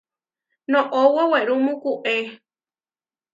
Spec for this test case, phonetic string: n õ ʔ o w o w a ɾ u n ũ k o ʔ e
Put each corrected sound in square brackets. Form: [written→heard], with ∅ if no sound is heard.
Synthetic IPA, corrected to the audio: n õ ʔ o w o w [a→e] ɾ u [n→m] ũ k [o→u] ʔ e